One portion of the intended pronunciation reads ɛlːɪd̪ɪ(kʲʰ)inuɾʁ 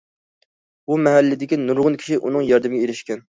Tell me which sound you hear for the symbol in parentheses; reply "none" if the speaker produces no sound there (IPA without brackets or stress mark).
kʲ